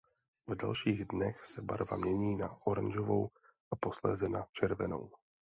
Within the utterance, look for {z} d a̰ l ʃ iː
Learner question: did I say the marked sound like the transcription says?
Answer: no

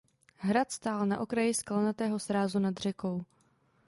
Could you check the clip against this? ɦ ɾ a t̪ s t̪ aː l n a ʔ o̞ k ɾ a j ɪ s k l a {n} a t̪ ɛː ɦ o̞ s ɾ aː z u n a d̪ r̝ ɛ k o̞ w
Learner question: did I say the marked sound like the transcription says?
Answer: yes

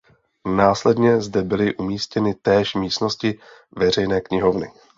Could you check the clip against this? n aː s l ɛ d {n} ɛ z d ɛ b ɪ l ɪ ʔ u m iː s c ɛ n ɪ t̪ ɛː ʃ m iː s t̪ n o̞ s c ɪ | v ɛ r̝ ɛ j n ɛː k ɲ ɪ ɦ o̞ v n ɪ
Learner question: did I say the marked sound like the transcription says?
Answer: no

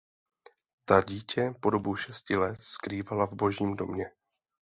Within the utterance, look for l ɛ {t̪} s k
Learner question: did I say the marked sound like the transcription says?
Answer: yes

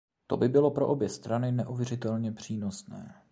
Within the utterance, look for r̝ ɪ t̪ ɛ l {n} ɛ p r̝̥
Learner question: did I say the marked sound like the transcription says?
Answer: no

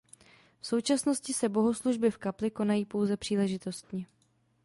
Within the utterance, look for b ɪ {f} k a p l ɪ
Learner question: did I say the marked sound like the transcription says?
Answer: yes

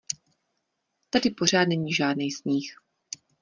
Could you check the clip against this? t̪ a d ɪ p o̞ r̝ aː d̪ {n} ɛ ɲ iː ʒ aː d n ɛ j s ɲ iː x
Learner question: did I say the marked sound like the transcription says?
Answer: yes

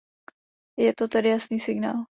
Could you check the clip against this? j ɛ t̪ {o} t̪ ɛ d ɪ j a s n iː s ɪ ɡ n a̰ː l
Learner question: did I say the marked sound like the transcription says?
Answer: yes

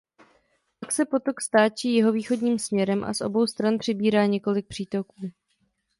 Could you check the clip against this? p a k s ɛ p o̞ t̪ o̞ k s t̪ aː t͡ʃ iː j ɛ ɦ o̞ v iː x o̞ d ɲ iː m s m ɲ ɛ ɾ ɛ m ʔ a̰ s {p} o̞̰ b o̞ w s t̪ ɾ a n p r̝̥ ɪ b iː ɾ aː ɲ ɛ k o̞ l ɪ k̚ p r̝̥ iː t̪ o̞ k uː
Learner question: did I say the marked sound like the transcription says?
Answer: no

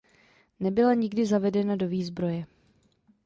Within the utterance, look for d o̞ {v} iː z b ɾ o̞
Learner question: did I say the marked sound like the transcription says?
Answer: yes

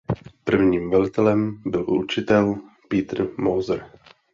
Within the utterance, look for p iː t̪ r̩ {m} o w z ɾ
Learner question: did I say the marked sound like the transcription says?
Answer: yes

